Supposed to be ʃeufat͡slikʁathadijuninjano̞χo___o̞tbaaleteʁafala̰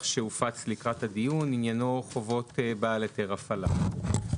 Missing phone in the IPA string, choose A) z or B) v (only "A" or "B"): B